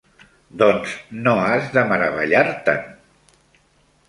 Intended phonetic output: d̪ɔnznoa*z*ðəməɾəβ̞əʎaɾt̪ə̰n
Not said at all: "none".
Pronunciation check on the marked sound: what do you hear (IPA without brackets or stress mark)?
z